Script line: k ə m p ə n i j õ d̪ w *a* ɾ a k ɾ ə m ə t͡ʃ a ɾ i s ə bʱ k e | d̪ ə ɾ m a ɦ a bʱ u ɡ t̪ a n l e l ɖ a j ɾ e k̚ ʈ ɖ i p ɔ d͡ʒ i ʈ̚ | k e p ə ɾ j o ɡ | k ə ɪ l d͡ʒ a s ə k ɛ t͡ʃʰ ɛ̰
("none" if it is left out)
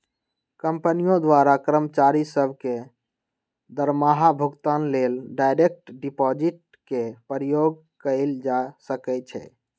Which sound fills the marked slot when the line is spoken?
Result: a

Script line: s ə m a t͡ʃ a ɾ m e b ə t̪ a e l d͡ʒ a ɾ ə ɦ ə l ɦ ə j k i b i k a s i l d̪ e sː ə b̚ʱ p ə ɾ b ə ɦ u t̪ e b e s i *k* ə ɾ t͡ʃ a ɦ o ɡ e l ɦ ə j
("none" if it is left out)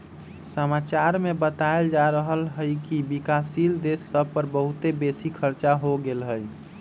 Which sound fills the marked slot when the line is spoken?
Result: kʰ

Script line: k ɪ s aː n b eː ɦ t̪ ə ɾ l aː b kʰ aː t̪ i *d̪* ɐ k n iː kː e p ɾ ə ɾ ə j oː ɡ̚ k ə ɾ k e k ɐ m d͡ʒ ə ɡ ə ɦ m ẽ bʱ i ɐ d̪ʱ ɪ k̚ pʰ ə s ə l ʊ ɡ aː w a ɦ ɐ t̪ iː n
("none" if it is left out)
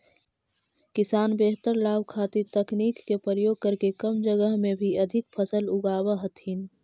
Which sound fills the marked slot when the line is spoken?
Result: t̪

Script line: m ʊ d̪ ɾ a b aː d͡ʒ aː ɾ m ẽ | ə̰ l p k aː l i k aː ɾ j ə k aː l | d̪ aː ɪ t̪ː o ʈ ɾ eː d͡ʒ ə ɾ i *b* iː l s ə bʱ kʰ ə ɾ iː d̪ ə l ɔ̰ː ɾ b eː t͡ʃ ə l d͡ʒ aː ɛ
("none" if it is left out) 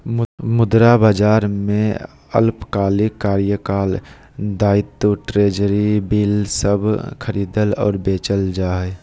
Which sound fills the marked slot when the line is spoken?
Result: b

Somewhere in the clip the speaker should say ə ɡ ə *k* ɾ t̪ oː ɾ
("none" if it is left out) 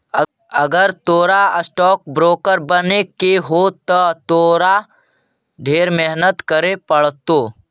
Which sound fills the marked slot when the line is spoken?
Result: none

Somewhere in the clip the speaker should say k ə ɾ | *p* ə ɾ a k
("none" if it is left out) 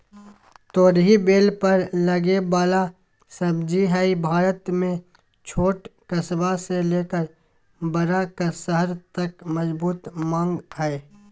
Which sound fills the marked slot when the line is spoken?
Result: b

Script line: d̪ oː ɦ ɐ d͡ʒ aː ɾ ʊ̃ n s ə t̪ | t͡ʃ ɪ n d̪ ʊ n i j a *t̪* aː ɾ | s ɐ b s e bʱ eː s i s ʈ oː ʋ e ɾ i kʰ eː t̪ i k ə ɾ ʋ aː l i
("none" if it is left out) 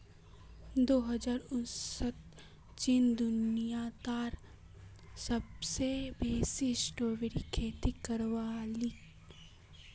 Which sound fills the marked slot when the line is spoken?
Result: t̪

